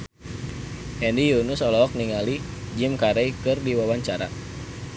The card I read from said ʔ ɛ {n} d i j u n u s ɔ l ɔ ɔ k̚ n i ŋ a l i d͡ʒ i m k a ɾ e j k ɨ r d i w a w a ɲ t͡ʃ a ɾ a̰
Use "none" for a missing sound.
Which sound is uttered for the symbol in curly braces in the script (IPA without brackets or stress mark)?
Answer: n